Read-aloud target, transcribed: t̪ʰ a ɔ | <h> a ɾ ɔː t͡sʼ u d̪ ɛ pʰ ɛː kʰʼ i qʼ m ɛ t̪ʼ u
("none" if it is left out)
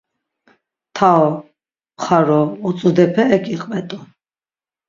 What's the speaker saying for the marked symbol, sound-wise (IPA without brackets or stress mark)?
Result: χ